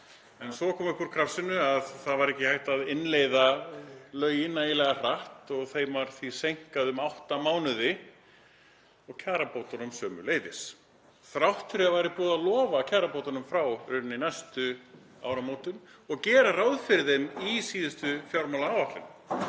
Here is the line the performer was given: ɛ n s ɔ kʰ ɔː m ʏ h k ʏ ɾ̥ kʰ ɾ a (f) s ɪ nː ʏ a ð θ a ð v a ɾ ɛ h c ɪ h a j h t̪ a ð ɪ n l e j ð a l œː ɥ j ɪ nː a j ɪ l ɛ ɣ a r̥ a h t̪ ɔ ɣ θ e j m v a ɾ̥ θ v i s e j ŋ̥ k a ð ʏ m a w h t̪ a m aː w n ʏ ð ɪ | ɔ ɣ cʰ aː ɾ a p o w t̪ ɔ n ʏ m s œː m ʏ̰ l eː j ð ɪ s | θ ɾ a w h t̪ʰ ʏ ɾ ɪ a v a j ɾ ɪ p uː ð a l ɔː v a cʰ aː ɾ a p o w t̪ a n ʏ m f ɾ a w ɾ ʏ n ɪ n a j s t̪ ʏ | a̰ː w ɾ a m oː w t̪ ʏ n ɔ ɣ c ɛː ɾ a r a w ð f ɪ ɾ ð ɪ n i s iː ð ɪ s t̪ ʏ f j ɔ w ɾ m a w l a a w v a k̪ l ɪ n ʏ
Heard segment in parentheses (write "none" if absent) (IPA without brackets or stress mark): f